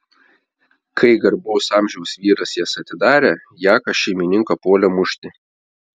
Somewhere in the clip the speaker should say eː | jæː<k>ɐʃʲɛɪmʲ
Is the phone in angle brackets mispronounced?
no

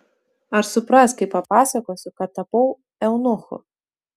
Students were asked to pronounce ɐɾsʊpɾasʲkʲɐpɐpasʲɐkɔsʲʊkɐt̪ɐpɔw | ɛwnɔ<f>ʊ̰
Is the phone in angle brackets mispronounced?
yes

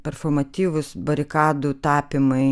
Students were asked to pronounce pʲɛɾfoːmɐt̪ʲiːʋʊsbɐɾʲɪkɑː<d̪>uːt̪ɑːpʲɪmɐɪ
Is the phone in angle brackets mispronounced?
no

